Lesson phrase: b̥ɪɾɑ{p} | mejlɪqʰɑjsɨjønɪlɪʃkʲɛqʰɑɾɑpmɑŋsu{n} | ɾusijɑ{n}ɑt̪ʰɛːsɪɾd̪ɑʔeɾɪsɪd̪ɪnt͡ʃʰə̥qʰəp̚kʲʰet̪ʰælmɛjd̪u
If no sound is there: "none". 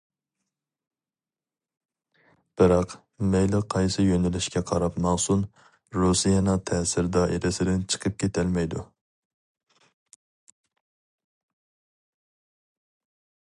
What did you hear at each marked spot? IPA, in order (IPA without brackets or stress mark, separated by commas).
q, n, n